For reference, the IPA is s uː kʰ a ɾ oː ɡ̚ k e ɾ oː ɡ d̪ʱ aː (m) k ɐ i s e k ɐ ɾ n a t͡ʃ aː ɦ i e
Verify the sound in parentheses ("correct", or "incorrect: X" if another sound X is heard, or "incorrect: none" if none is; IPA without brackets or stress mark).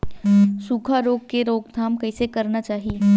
correct